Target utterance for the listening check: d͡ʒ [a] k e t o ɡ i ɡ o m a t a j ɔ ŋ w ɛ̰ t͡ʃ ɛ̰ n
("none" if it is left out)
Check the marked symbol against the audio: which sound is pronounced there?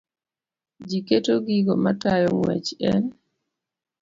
i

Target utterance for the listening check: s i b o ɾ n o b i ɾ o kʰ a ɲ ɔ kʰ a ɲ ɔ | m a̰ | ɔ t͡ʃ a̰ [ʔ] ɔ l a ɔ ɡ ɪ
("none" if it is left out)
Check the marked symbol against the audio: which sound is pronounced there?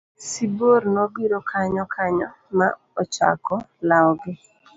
k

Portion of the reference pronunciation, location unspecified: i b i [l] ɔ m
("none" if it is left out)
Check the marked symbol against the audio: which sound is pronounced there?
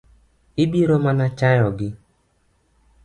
ɾ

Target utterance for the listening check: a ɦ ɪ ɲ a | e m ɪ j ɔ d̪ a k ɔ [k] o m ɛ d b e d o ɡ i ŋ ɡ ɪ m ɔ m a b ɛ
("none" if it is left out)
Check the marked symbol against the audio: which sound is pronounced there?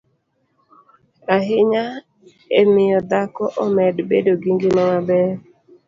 ʔ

